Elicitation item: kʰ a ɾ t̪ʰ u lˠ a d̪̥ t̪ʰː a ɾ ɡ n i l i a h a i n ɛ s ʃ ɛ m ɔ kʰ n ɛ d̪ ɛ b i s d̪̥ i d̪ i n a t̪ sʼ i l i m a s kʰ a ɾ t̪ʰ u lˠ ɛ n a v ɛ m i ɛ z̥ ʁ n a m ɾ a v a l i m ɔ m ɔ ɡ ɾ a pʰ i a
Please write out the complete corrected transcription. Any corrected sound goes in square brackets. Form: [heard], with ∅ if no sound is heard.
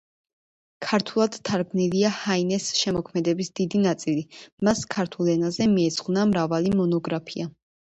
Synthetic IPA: kʰ a ɾ t̪ʰ u lˠ a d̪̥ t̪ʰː a ɾ ɡ n i l i a h a i n ɛ s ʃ ɛ m ɔ kʰ [m] ɛ d̪ ɛ b i s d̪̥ i d̪ i n a t̪ sʼ i l i m a s kʰ a ɾ t̪ʰ u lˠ ɛ n a [z] ɛ m i ɛ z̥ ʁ n a m ɾ a v a l i m ɔ [n] ɔ ɡ ɾ a pʰ i a

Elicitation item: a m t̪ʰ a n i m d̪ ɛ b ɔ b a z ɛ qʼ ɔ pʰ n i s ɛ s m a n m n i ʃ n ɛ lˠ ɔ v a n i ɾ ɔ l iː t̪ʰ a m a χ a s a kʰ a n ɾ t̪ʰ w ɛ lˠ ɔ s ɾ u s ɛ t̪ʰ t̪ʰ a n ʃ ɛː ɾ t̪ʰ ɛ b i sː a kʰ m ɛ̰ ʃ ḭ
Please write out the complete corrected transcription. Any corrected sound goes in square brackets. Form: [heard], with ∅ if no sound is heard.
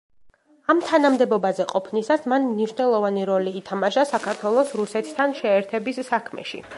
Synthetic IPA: a m t̪ʰ a n [a] m d̪ ɛ b ɔ b a z ɛ qʼ ɔ pʰ n i s [a] s m a n m n i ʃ n ɛ lˠ ɔ v a n i ɾ ɔ l iː t̪ʰ a m a [ʃ] a s a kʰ a [∅] ɾ t̪ʰ w ɛ lˠ ɔ s ɾ u s ɛ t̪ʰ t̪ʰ a n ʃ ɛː ɾ t̪ʰ ɛ b i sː a kʰ m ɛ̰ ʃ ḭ

